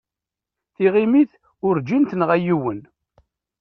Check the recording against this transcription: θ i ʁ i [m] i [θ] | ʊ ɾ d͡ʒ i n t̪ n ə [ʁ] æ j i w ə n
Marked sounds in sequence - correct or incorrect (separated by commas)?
correct, correct, correct